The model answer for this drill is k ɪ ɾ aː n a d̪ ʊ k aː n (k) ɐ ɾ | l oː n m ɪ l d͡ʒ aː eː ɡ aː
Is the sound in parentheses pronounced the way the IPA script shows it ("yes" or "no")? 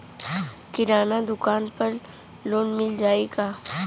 no